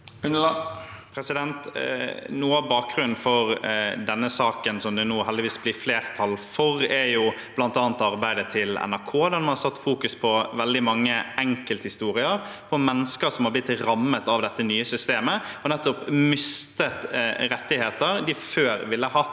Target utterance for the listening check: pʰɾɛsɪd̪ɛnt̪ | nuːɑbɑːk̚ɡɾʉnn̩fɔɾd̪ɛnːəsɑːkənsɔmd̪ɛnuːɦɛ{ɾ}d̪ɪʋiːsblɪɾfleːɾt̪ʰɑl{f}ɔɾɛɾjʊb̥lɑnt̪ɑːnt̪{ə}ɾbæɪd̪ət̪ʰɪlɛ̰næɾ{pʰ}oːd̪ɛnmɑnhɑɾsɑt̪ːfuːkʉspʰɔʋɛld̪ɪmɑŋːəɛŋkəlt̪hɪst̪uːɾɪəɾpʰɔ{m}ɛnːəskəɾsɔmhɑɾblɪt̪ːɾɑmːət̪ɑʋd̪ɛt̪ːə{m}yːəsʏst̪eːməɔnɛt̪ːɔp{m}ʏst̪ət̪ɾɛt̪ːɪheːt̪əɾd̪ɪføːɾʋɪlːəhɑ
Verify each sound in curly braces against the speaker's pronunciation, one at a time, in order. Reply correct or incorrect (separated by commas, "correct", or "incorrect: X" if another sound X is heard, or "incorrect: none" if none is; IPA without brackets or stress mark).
incorrect: l, correct, incorrect: ɑ, incorrect: kʰ, correct, incorrect: n, correct